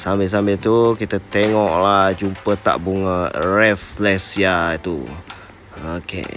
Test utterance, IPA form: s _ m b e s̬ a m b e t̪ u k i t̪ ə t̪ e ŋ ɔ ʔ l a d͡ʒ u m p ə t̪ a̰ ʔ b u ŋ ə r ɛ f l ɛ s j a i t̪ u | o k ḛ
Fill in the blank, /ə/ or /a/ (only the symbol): a